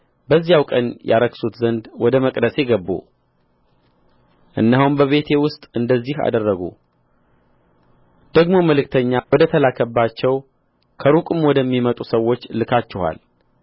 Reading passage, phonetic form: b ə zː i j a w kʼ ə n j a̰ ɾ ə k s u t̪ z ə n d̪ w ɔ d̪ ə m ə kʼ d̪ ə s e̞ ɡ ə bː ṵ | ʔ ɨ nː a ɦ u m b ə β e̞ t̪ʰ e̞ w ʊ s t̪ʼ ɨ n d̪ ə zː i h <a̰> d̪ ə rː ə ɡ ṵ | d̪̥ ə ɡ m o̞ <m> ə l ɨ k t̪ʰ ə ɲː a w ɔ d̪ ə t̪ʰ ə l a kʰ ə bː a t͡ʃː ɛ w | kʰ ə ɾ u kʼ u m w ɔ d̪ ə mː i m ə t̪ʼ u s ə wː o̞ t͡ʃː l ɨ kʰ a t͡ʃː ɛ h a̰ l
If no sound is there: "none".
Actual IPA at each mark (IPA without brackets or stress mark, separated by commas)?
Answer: a̰, m